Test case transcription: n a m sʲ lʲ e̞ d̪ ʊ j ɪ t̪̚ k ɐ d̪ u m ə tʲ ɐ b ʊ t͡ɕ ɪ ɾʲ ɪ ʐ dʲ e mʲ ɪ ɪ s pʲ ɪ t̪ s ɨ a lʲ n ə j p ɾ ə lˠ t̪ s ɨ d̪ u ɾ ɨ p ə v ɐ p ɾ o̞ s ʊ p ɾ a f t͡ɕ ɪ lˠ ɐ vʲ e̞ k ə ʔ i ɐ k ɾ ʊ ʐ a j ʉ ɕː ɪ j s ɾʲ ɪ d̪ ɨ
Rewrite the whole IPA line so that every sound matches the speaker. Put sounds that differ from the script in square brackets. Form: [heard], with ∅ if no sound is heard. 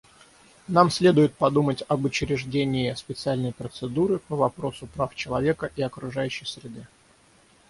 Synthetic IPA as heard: n a m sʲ lʲ e̞ d̪ ʊ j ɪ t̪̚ [p] ɐ d̪ u m ə tʲ ɐ b ʊ t͡ɕ ɪ ɾʲ ɪ ʐ dʲ e [nʲ] ɪ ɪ s pʲ ɪ t̪ s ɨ a lʲ n ə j p ɾ ə [∅] t̪ s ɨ d̪ u ɾ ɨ p ə v ɐ p ɾ o̞ s ʊ p ɾ a f t͡ɕ ɪ lˠ ɐ vʲ e̞ k ə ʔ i ɐ k ɾ ʊ ʐ a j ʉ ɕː ɪ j s ɾʲ ɪ d̪ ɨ